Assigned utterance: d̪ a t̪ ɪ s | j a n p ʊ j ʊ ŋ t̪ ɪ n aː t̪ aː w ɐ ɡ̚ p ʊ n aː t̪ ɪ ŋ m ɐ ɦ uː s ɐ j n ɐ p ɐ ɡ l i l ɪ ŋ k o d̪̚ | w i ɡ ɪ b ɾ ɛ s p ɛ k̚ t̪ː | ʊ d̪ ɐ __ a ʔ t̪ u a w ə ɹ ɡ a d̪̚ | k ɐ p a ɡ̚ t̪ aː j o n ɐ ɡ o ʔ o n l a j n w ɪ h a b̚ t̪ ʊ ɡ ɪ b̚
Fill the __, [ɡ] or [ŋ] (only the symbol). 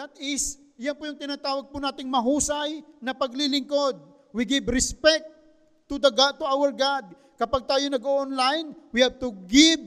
ɡ